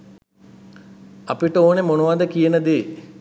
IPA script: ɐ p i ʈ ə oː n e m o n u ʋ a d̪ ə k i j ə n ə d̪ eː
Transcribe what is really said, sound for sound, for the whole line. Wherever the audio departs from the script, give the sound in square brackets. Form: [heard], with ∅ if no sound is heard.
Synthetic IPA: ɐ p i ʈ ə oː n e m o n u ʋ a d̪ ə k i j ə n ə d̪ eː